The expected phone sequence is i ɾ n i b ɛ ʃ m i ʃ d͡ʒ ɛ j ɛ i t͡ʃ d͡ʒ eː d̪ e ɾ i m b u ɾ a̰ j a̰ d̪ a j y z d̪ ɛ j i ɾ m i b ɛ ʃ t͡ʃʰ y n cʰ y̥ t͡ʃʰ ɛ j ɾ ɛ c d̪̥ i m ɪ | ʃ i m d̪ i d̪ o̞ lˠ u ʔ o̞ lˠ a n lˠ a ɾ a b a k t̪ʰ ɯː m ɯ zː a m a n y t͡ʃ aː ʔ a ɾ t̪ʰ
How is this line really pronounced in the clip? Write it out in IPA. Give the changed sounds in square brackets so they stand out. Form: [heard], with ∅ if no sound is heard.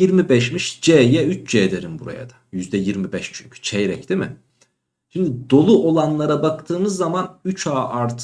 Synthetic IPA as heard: i ɾ [m] i b ɛ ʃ m i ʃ d͡ʒ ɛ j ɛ [y] t͡ʃ d͡ʒ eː d̪ e ɾ i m b u ɾ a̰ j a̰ d̪ a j y z d̪ ɛ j i ɾ m i b ɛ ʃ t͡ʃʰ y [ɲ] cʰ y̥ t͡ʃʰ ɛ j ɾ ɛ c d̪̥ i m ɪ | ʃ i m d̪ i d̪ o̞ lˠ u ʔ o̞ lˠ a n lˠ a ɾ a b a k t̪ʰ ɯː m ɯ zː a m a n y t͡ʃ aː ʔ a ɾ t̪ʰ

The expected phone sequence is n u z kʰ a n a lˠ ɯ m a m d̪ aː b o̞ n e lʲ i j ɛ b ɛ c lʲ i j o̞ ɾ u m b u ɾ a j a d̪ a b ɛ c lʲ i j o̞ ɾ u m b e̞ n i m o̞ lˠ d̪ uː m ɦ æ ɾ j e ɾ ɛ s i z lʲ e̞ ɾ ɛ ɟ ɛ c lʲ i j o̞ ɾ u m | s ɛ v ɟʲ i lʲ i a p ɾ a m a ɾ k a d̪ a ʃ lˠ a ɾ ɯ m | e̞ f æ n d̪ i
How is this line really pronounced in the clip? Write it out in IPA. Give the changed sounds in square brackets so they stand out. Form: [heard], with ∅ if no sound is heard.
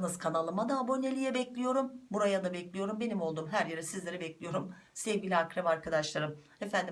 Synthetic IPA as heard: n [ɯ] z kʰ a n a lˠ ɯ m a [∅] d̪ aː b o̞ n e lʲ i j ɛ b ɛ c lʲ i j o̞ ɾ u m b u ɾ a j a d̪ a b ɛ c lʲ i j o̞ ɾ u m b e̞ n i m o̞ lˠ d̪ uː m ɦ æ ɾ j e ɾ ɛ s i z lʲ e̞ ɾ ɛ [b] ɛ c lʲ i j o̞ ɾ u m | s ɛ v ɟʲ i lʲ i a [k] ɾ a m a ɾ k a d̪ a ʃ lˠ a ɾ ɯ m | e̞ f æ n d̪ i

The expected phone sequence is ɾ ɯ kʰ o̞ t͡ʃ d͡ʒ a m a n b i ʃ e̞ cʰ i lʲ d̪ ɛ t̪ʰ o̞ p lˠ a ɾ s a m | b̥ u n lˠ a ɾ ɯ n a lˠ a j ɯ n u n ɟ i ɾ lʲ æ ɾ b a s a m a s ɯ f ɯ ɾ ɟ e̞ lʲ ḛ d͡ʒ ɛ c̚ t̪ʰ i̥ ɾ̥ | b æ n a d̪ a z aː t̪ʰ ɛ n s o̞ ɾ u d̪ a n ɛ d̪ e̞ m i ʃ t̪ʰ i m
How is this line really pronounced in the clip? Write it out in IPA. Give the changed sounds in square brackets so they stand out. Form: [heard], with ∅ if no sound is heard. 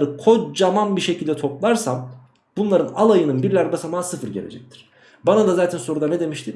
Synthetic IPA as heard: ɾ ɯ kʰ o̞ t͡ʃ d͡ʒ a m a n b i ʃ e̞ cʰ i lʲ d̪ ɛ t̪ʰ o̞ p lˠ a ɾ s a m | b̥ u n lˠ a ɾ ɯ n a lˠ a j ɯ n [ɯ] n [b] i ɾ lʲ æ ɾ b a s a m a s ɯ f ɯ ɾ ɟ e̞ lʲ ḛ d͡ʒ ɛ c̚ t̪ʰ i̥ ɾ̥ | b [a] n a d̪ a z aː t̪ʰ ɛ n s o̞ ɾ u d̪ a n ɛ d̪ e̞ m i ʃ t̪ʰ i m

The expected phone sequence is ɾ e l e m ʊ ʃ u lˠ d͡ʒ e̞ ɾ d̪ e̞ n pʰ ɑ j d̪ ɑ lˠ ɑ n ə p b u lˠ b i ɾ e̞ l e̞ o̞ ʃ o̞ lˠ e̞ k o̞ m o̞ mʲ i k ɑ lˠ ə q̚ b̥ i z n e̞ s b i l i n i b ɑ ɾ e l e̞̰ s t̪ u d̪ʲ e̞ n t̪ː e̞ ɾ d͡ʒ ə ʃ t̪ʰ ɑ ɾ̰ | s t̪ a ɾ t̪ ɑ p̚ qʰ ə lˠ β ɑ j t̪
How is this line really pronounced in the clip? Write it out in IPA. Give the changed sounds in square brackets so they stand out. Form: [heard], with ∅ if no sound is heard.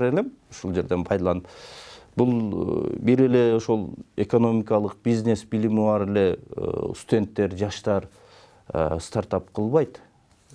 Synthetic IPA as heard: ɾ e l e m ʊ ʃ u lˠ d͡ʒ e̞ ɾ d̪ e̞ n pʰ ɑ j d̪ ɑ lˠ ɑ n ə p b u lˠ b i ɾ e̞ l e̞ o̞ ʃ o̞ lˠ e̞ k o̞ [n] o̞ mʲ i k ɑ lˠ ə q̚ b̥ i z n e̞ s b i l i [m] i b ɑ ɾ e l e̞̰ s t̪ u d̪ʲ e̞ n t̪ː e̞ ɾ d͡ʒ [ɑ] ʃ [t̪] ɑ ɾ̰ | s t̪ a ɾ t̪ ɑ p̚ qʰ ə lˠ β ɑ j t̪

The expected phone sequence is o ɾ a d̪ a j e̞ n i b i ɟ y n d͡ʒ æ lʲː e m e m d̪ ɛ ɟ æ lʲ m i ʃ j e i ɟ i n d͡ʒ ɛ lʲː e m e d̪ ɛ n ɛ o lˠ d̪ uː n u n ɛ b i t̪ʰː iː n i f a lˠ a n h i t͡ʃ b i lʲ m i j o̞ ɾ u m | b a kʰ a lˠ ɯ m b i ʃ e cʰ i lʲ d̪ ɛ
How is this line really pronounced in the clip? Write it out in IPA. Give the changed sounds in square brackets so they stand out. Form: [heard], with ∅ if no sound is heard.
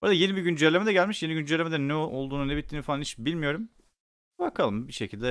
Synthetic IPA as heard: o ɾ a d̪ a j e̞ n i b i ɟ y n d͡ʒ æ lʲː e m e [∅] d̪ ɛ ɟ æ lʲ m i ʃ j e i ɟ [y] n d͡ʒ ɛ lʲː e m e d̪ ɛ n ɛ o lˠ d̪ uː n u n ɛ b i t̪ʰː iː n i f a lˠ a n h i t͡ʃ b i lʲ m i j o̞ ɾ u m | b a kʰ a lˠ ɯ m b i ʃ e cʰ i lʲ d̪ ɛ

